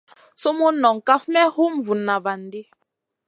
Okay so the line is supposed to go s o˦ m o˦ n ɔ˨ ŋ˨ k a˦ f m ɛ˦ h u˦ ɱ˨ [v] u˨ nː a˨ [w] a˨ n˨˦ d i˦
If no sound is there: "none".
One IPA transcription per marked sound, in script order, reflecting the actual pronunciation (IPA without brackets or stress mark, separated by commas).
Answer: v, v